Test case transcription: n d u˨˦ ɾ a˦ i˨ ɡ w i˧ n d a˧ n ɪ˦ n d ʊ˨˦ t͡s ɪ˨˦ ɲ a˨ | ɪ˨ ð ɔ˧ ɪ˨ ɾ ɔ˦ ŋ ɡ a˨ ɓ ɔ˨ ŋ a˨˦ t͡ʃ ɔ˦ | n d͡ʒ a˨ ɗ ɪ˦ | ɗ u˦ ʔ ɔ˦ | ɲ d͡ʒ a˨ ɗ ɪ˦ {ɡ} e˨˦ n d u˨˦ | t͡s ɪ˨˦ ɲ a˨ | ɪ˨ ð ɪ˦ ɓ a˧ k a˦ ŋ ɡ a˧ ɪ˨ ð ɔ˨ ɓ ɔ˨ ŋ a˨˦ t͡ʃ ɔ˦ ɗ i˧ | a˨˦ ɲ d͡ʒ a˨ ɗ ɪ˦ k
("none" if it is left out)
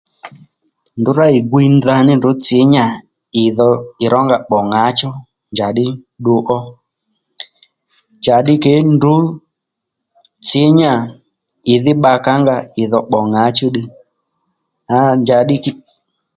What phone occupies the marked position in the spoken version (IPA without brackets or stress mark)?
k